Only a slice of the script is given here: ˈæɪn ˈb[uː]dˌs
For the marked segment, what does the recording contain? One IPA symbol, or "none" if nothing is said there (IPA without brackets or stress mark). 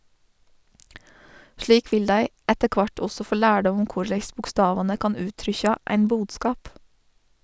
uː